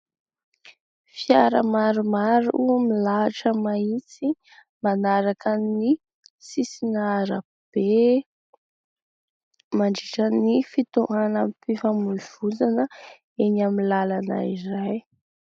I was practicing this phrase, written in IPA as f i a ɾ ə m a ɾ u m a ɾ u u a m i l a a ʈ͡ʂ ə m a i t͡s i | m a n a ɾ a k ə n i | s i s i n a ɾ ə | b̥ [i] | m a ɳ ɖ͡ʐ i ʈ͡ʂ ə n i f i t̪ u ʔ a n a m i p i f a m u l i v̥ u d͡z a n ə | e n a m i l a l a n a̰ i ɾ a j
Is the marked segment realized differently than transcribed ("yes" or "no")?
yes